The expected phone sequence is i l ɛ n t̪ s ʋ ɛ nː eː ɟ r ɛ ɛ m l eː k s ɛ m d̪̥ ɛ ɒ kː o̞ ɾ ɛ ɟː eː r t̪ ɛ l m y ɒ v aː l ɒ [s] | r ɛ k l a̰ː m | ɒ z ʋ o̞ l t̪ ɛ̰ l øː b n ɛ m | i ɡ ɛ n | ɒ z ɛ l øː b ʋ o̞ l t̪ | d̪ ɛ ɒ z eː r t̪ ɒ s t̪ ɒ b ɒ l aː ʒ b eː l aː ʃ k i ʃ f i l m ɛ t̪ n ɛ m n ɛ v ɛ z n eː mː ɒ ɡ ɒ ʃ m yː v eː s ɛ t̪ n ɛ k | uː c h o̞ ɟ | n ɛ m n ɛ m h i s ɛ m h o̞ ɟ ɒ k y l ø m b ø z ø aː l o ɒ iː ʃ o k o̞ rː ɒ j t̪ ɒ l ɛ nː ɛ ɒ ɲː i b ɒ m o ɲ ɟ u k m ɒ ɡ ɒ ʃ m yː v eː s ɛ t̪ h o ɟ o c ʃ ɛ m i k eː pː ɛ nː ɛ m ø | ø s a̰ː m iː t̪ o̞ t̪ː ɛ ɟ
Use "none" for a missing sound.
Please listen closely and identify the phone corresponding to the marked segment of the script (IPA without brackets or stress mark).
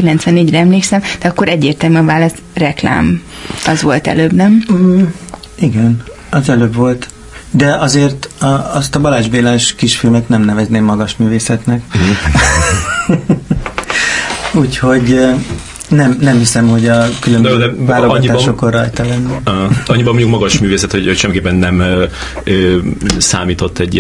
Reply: s